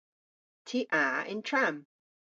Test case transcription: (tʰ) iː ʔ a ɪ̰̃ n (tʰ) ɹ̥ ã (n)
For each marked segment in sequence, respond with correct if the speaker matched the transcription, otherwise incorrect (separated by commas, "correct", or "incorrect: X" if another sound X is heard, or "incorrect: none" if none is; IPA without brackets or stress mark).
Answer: correct, correct, incorrect: m